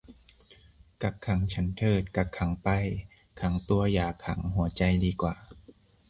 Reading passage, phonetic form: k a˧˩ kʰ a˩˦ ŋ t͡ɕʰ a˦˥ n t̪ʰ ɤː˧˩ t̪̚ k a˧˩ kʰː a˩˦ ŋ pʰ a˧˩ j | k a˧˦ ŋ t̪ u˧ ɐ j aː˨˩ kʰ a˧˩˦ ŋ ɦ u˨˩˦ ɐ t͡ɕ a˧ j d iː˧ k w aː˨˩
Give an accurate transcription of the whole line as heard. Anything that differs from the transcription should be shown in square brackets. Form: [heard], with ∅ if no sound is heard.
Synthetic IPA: k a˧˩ kʰ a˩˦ ŋ t͡ɕʰ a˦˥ n t̪ʰ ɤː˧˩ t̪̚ k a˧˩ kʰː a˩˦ ŋ [p] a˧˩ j | [kʰ] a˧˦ ŋ t̪ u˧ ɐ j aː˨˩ kʰ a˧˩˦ ŋ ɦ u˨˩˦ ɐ t͡ɕ a˧ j d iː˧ k w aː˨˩